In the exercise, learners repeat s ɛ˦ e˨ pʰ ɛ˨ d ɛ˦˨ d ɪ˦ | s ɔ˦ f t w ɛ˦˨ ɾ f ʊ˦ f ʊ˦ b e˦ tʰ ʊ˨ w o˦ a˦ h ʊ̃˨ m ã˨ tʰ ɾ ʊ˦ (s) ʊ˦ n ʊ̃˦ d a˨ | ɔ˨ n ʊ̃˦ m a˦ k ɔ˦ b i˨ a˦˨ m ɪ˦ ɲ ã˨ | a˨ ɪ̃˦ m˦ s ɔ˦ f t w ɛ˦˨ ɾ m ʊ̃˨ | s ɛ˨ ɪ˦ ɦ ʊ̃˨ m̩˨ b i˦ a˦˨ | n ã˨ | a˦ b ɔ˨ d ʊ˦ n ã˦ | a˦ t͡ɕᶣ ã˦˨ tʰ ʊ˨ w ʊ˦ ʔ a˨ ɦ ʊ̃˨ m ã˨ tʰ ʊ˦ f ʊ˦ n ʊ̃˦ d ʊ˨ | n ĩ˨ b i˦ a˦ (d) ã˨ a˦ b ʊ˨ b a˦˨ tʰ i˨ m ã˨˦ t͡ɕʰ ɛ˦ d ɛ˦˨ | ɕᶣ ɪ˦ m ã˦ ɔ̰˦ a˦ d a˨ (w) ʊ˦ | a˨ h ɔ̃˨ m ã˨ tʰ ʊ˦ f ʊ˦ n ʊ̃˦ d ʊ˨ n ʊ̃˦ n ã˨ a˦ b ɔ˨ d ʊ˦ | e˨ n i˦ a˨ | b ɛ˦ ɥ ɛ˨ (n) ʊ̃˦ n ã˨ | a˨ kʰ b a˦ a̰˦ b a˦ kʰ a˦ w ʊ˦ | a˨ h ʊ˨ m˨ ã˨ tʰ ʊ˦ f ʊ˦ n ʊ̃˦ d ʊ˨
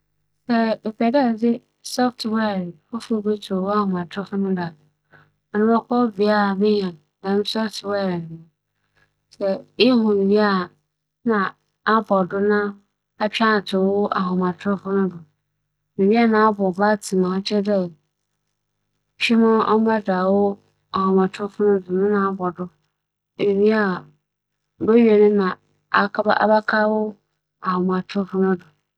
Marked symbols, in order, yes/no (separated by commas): no, no, yes, yes